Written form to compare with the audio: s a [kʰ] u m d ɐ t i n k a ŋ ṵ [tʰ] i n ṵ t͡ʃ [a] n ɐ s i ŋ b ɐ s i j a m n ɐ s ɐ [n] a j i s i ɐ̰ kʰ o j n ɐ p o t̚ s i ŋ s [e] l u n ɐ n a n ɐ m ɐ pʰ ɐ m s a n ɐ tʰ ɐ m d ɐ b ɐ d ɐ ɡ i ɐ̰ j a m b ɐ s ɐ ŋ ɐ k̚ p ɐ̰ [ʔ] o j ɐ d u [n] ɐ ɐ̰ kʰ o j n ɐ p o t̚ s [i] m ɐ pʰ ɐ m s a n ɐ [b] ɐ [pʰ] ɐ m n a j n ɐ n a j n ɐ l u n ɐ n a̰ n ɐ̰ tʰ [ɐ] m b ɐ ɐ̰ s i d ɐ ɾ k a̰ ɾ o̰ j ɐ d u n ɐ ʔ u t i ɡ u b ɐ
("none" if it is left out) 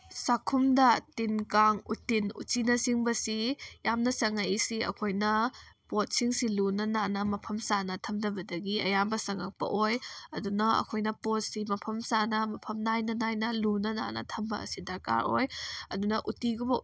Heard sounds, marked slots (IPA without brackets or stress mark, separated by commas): kʰ, t, i, ŋ, i, ʔ, n, i, m, pʰ, ɐ